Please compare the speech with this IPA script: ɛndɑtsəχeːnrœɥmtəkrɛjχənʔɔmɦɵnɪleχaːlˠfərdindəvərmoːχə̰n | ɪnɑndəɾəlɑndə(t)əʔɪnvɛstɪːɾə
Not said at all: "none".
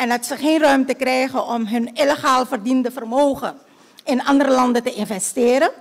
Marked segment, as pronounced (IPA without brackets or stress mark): t